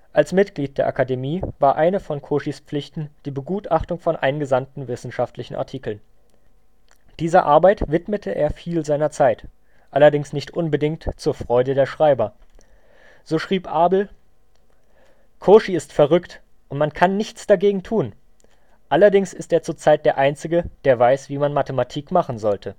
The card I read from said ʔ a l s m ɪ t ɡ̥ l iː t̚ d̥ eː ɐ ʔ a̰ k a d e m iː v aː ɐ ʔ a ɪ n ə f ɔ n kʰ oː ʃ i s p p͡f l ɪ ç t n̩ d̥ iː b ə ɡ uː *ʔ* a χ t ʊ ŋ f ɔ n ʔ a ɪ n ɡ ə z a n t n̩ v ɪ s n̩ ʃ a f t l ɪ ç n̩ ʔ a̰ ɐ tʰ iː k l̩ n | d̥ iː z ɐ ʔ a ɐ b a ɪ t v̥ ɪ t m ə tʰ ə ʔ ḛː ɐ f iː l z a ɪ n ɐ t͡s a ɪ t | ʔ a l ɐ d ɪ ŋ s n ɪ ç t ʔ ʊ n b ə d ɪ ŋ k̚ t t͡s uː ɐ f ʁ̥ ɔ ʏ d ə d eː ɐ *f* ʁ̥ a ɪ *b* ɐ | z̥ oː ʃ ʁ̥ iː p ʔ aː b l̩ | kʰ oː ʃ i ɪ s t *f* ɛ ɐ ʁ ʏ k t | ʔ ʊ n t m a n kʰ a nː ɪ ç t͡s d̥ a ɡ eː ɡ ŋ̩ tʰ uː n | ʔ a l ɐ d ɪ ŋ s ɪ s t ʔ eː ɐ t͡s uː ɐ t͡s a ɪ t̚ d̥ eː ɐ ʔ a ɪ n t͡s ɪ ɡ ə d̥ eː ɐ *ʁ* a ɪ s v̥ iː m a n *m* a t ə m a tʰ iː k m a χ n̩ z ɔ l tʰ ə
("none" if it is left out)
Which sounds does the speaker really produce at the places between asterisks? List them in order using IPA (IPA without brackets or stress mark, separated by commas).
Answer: t, ʃ, b, f, v, m